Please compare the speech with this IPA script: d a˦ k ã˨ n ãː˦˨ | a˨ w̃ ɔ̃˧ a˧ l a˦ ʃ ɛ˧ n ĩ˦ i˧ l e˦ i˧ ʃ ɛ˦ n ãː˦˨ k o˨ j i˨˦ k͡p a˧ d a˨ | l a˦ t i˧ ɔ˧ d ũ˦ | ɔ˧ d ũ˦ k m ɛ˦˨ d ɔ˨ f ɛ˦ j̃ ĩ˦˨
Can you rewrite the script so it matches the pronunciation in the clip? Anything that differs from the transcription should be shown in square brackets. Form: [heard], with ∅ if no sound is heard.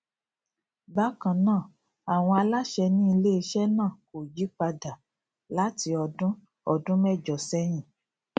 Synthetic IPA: [b] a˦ k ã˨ n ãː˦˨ | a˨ w̃ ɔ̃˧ a˧ l a˦ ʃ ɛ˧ n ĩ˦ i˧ l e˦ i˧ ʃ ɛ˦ n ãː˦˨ k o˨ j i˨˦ k͡p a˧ d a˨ | l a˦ t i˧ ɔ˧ d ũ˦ | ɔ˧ d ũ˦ [∅] m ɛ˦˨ [d͡ʒ] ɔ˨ [s] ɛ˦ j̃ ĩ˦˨